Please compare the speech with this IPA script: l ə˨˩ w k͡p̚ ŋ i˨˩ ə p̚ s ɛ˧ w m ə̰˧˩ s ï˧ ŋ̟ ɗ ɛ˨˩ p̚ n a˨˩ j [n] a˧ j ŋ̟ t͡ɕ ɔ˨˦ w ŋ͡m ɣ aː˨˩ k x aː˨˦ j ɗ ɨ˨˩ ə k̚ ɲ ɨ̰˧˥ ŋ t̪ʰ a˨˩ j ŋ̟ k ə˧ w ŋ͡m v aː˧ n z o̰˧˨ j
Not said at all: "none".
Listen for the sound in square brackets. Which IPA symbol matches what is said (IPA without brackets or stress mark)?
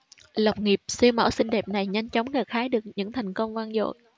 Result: ɲ